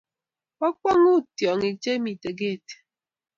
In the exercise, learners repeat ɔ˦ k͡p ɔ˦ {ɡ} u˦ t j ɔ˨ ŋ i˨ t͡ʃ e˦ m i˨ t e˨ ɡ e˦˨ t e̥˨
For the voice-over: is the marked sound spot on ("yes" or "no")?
no